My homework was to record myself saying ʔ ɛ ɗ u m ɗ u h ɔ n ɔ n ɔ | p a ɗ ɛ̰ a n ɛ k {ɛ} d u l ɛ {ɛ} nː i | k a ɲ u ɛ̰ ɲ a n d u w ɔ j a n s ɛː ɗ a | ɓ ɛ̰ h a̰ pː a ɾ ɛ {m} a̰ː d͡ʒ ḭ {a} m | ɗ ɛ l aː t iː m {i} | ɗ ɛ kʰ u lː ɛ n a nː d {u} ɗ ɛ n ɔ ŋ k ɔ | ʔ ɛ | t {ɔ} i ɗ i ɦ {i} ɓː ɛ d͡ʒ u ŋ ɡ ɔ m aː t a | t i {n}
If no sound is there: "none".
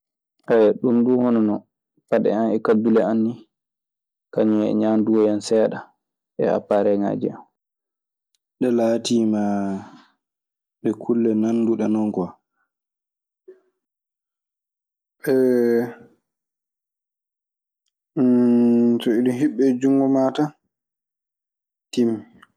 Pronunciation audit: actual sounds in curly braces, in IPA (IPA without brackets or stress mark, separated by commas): a, a, ŋ, a, a, u, ɔ, i, m